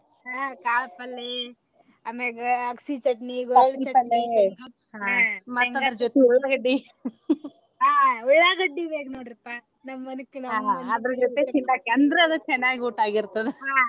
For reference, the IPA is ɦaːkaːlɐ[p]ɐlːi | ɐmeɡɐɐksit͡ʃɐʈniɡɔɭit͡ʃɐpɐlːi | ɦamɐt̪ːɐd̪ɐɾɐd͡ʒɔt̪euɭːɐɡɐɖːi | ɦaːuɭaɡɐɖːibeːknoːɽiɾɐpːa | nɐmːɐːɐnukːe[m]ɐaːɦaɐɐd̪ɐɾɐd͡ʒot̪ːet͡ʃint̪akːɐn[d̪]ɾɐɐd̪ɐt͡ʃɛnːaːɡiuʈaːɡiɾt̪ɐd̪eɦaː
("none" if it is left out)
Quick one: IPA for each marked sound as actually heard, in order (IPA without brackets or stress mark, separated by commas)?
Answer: p, n, d̪